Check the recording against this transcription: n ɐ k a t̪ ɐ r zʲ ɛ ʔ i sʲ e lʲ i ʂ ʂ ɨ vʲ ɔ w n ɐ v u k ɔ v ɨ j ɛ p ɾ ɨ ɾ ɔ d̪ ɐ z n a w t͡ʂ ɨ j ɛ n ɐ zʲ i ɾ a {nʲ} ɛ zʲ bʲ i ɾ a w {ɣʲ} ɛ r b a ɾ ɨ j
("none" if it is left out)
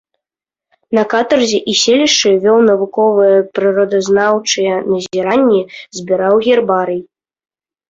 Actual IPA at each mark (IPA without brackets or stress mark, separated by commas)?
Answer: nʲː, ɣʲ